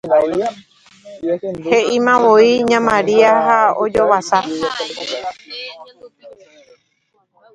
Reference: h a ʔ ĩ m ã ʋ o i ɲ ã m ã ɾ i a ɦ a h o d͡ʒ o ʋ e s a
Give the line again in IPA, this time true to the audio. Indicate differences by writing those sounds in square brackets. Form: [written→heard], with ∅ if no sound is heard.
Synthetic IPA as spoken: h [a→e] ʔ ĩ m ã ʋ o i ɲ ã m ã ɾ i a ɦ a [h→∅] o d͡ʒ o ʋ [e→a] s a